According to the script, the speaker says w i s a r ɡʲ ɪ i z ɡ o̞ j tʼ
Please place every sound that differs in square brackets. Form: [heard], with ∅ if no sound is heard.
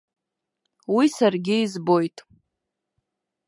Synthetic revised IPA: w i s a r ɡʲ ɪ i z [b] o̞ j tʼ